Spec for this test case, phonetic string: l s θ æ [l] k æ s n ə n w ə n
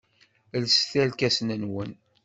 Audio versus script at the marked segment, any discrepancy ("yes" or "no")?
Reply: no